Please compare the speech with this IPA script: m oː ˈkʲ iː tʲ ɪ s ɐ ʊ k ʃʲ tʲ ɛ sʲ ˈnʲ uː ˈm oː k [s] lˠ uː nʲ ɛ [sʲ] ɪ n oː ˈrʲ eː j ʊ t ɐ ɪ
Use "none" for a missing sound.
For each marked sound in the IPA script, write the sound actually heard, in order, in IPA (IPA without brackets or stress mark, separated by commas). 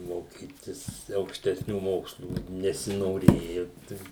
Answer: s, sʲ